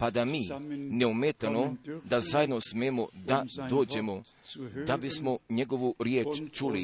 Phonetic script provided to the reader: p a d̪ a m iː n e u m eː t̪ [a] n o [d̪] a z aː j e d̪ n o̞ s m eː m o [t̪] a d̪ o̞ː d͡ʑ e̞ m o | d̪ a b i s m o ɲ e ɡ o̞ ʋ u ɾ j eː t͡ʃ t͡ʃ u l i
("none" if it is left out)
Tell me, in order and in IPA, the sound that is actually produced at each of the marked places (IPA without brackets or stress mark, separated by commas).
a, d̪, d̪